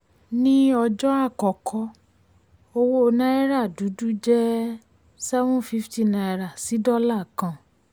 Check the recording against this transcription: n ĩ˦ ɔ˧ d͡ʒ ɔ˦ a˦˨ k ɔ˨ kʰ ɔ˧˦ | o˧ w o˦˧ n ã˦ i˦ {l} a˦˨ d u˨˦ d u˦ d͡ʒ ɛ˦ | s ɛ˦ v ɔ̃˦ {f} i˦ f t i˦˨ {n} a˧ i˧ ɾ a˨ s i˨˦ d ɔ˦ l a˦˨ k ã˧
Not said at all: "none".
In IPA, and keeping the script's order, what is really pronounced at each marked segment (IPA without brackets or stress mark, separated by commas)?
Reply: ɾ, f, n